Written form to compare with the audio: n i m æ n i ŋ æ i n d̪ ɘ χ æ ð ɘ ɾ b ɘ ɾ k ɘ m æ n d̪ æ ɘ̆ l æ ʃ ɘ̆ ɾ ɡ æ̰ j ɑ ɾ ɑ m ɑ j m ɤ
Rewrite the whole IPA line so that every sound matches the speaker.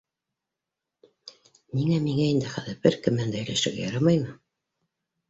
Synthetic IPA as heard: n i ŋ æ m i ŋ æ i n d̪ ɘ χ æ ð ɘ ɾ b ɘ ɾ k ɘ m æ n d̪ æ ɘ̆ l æ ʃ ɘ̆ ɾ ɡ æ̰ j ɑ ɾ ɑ m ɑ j m ɤ